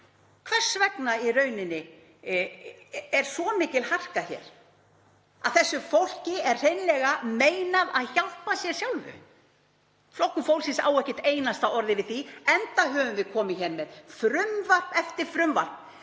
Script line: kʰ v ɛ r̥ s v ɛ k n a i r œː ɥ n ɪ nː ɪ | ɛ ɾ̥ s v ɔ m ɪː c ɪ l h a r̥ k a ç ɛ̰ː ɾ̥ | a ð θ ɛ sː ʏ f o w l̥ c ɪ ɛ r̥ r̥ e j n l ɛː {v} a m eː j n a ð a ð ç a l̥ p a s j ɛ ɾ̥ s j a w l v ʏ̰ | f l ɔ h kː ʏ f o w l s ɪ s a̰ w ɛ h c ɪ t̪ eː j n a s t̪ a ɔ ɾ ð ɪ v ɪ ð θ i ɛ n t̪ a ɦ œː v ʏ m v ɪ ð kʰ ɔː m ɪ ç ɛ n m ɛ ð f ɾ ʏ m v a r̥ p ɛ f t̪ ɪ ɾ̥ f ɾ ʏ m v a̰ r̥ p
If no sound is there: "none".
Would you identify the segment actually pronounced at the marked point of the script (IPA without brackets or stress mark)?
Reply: ɣ